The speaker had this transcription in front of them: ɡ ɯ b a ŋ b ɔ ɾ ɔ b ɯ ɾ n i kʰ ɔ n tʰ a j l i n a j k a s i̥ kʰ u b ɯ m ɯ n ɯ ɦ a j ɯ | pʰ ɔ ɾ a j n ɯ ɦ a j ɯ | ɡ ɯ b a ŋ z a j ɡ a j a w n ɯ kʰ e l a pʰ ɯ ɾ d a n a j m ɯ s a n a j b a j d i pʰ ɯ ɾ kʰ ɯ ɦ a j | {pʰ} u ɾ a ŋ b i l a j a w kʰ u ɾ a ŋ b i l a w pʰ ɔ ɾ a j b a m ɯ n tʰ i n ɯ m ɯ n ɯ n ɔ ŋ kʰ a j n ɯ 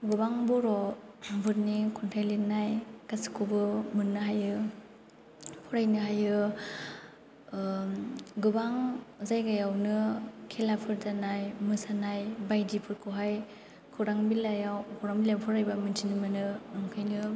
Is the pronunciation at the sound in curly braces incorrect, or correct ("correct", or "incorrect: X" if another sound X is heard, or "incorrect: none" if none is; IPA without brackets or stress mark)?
incorrect: kʰ